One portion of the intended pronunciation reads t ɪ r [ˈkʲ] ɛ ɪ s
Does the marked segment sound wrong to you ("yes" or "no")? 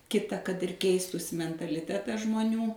no